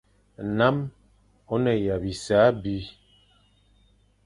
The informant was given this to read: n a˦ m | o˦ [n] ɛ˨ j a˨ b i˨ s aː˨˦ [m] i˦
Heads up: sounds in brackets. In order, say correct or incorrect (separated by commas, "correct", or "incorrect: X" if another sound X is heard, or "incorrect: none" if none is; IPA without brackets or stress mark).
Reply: correct, incorrect: b